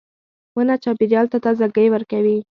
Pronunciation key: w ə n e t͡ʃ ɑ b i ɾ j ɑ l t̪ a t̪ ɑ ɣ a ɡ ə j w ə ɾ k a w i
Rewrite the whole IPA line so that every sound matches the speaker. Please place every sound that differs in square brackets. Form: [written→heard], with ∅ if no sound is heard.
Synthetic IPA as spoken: w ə n [e→a] t͡ʃ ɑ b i ɾ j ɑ l t̪ a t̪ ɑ [ɣ→z] a ɡ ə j w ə ɾ k a w i